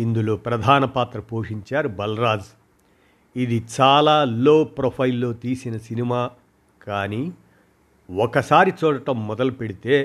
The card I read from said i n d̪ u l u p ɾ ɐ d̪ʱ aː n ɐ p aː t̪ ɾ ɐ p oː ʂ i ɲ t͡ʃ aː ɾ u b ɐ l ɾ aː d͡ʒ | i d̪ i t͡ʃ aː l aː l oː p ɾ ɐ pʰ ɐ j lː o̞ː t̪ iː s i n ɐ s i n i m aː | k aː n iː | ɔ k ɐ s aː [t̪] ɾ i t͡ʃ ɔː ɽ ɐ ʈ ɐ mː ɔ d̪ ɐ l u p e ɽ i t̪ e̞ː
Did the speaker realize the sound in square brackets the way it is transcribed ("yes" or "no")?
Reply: no